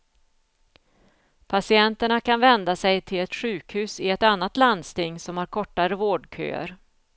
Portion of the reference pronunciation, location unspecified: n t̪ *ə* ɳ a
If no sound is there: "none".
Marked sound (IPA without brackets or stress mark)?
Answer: ə